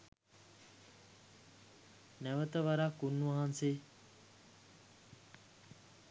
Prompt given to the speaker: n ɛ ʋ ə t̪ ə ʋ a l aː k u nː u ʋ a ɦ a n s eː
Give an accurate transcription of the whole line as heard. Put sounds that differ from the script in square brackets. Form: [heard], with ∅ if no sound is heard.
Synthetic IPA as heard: n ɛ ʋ ə t̪ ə ʋ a [ɾ] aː k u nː u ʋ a ɦ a n s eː